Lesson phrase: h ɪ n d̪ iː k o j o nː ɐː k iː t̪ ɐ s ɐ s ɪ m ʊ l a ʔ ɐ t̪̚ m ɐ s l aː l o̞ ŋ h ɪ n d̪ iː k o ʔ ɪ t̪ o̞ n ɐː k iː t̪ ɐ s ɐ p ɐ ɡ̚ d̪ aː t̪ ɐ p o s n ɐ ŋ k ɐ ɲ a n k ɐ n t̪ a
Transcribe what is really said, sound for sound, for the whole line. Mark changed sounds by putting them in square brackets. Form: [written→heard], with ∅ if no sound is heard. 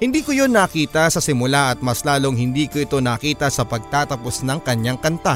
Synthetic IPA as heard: h ɪ n d̪ iː k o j o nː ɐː k iː t̪ ɐ s ɐ s ɪ m ʊ l a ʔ ɐ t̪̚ m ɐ s l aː l o̞ ŋ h ɪ n d̪ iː k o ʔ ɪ t̪ o̞ n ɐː k iː t̪ ɐ s ɐ p ɐ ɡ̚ [d̪→t̪] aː t̪ ɐ p o s n ɐ ŋ k ɐ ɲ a [n→ŋ] k ɐ n t̪ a